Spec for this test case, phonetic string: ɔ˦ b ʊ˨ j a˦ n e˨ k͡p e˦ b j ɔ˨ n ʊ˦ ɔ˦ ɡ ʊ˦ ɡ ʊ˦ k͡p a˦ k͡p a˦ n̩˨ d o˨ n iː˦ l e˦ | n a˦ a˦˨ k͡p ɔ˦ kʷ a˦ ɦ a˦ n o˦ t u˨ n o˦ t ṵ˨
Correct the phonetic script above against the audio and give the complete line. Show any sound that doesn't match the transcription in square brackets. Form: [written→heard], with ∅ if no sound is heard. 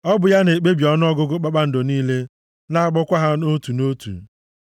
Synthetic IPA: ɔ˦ b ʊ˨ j a˦ n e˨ k͡p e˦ b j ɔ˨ n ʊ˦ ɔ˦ ɡ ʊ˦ ɡ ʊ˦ k͡p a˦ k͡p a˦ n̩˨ d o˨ n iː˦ l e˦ | n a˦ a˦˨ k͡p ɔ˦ kʷ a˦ ɦ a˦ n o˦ t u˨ n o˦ t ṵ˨

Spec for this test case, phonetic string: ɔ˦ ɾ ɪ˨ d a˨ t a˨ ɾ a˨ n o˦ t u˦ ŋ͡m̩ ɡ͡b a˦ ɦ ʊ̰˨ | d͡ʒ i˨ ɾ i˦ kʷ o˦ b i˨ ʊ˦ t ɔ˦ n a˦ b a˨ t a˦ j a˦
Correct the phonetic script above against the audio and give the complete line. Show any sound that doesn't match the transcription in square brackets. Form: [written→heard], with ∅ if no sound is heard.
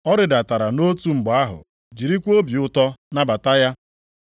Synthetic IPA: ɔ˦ ɾ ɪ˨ d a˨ t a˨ ɾ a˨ n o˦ t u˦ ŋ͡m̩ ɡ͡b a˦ ɦ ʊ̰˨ | d͡ʒ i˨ ɾ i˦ kʷ o˦ b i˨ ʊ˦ t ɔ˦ n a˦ b a˨ t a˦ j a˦

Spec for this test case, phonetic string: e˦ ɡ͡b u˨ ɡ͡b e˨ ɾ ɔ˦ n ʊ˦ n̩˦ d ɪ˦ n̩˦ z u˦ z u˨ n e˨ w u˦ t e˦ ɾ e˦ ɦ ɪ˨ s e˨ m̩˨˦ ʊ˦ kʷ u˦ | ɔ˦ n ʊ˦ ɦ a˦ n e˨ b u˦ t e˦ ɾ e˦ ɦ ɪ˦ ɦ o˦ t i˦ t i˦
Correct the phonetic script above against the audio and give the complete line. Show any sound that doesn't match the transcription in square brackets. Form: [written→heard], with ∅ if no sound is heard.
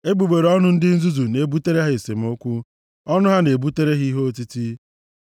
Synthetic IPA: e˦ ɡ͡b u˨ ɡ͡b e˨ ɾ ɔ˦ n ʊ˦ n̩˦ d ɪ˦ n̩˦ z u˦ z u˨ n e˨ [w→b] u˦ t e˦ ɾ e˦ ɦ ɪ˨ s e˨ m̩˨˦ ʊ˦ kʷ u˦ | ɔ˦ n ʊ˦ ɦ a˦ n e˨ b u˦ t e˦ ɾ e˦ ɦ [ɪ˦→i˦] ɦ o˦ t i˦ t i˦

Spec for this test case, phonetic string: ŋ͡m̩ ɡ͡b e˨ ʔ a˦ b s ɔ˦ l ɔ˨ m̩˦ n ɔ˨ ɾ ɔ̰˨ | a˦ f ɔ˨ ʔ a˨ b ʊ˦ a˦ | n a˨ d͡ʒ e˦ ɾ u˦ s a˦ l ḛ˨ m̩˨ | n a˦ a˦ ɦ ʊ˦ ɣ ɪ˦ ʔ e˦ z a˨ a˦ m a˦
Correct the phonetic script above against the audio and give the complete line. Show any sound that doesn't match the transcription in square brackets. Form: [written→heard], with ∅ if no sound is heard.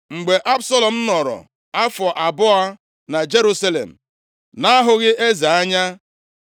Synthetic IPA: ŋ͡m̩ ɡ͡b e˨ ʔ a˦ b s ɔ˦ l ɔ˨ m̩˦ n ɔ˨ ɾ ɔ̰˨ | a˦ f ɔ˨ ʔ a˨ b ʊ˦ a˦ | n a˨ d͡ʒ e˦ ɾ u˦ s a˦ l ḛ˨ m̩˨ | n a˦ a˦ ɦ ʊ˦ ɣ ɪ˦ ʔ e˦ z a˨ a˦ [m→ɲ] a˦

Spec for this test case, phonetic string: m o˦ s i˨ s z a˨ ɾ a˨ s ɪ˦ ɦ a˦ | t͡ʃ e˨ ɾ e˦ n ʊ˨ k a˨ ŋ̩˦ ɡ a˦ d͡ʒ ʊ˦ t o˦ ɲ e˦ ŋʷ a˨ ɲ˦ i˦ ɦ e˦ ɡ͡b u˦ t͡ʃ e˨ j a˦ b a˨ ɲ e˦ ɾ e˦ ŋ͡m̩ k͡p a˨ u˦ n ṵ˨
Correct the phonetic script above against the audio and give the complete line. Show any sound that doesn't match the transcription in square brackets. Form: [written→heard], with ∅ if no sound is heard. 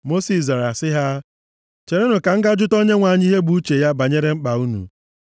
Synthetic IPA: m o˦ s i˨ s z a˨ ɾ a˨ s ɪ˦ ɦ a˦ | t͡ʃ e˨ ɾ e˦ n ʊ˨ k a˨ ŋ̩˦ ɡ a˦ d͡ʒ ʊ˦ t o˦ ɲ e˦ ŋʷ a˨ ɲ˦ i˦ ɦ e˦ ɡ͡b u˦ t͡ʃ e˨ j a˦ b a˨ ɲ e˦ ɾ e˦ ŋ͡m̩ k͡p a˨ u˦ n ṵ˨

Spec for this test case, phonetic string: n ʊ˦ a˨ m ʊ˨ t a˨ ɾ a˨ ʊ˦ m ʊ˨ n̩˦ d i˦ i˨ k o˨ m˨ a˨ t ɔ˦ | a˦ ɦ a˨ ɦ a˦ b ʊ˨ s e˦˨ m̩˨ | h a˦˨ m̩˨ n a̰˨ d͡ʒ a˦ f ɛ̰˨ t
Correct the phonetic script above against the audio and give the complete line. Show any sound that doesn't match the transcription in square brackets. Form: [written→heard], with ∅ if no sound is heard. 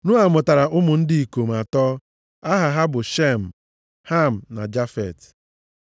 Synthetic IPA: n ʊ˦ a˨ m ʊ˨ t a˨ ɾ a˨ ʊ˦ m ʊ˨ n̩˦ d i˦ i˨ k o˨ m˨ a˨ t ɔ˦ | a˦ ɦ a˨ ɦ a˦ b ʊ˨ [s→ʃ] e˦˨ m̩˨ | h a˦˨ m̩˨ n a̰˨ d͡ʒ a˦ f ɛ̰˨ t

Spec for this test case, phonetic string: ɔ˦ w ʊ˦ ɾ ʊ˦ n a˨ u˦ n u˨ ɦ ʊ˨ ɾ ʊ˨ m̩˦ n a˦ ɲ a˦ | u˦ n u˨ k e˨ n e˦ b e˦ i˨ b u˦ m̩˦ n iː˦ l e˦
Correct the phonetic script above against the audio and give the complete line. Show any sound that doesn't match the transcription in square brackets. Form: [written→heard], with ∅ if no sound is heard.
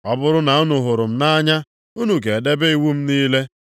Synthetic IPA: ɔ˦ [w→b] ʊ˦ ɾ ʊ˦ n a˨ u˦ n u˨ ɦ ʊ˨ ɾ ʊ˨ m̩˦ n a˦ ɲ a˦ | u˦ n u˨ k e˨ [n→d] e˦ b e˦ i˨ [b→w] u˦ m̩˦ n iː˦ l e˦

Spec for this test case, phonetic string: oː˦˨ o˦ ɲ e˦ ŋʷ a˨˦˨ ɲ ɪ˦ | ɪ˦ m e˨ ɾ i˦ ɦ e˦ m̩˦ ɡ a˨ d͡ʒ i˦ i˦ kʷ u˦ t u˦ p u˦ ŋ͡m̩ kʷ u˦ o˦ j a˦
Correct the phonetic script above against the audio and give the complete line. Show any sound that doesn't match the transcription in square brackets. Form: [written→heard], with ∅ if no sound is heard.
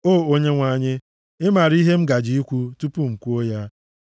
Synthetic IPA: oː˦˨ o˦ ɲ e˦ ŋʷ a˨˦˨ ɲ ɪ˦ | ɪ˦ m [e˨→a˨] ɾ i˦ ɦ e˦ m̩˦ ɡ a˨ d͡ʒ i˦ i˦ kʷ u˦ t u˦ p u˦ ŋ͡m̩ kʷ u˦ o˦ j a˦

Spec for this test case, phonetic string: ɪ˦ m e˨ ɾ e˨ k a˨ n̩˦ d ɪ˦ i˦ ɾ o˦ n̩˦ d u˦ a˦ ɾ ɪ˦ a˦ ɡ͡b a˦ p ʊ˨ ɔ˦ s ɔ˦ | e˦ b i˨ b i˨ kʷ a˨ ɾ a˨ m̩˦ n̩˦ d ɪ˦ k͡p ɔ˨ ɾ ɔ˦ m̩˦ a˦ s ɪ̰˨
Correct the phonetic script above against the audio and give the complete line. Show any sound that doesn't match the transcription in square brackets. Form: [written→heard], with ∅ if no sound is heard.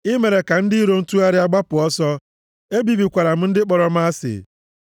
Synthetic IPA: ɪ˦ m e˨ ɾ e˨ k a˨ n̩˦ d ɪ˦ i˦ ɾ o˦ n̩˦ [d→t] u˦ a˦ ɾ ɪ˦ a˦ ɡ͡b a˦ p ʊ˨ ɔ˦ s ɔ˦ | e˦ b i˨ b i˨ kʷ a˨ ɾ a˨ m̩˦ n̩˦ d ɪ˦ k͡p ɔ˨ ɾ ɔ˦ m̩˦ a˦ s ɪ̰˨

